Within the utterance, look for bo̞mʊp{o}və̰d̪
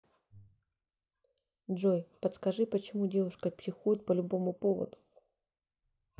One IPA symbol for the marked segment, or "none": o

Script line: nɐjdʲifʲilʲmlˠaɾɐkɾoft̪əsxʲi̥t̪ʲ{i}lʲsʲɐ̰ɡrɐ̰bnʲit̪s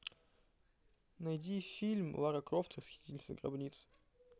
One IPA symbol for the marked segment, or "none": i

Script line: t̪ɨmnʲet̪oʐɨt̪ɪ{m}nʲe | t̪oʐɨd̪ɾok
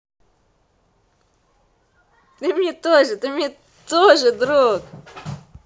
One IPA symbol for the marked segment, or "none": m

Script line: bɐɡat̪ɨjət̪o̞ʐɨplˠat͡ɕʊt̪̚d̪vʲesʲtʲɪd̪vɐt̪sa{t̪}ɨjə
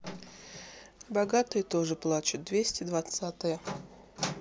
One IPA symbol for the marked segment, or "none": t̪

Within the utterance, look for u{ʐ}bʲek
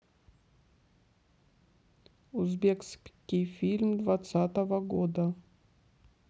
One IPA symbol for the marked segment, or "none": z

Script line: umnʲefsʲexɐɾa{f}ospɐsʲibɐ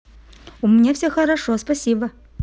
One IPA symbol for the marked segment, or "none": ʂ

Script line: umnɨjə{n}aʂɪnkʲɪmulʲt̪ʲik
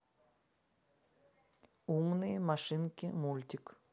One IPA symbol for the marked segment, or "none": m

